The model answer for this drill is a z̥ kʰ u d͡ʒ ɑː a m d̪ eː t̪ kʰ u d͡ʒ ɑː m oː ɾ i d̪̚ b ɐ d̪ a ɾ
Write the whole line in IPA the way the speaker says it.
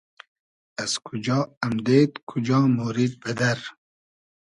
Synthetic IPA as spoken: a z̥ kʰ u d͡ʒ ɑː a m d̪ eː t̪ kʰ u d͡ʒ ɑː m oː ɾ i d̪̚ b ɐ d̪ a ɾ

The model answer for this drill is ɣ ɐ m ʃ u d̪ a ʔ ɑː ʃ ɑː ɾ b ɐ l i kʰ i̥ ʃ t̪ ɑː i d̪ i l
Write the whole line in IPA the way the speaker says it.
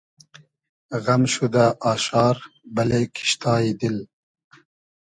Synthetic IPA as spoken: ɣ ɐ m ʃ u d̪ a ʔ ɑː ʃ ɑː ɾ b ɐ l e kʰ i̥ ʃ t̪ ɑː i d̪ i l

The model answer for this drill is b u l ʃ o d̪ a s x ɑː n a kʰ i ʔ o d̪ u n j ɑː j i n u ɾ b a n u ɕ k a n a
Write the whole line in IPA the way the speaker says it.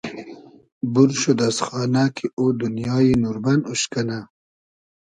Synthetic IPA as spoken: b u ɾ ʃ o d̪ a s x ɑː n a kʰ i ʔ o d̪ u n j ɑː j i n u ɾ b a n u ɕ k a n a

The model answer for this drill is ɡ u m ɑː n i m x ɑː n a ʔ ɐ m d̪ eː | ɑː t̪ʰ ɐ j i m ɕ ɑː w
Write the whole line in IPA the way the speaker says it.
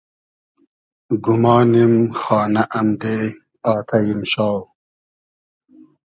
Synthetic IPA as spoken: ɡ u m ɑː n i m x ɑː n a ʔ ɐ m d̪ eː | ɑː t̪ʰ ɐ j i m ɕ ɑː w

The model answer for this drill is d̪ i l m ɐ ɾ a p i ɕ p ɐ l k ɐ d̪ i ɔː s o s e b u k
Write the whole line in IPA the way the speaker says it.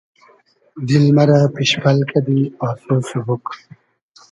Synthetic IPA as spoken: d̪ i l m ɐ ɾ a p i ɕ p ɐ l k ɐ d̪ i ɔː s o s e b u k

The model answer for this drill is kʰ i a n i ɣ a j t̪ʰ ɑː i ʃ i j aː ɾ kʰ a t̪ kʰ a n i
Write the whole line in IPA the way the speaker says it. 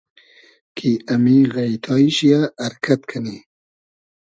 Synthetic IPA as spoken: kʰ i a m i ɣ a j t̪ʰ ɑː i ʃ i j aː ɾ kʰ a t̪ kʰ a n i

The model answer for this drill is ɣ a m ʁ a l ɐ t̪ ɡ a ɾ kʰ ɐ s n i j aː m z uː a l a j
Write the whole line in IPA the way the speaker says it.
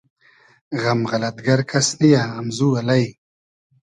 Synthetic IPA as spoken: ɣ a m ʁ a l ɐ t̪ ɡ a ɾ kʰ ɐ s n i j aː m z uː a l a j

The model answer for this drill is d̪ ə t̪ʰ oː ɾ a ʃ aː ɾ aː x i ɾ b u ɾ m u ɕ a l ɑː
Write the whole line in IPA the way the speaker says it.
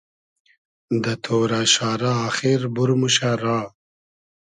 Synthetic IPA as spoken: d̪ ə t̪ʰ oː ɾ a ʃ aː ɾ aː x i ɾ b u ɾ m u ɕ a ɾ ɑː

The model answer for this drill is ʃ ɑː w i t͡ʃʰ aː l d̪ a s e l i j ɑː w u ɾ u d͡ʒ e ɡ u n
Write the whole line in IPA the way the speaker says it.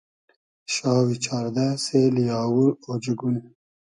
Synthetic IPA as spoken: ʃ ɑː w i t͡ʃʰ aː ɾ d̪ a s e l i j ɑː w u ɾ o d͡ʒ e ɡ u n

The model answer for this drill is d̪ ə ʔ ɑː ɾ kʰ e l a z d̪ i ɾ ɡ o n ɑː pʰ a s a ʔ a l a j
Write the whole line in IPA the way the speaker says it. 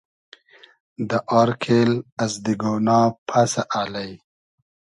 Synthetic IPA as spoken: d̪ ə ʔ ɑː ɾ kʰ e l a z d̪ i ɡ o n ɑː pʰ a s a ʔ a l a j

